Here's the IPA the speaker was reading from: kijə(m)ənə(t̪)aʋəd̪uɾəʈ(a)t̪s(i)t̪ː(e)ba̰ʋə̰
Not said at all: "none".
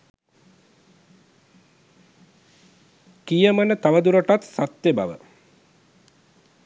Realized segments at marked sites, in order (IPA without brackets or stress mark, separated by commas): m, t̪, a, a, e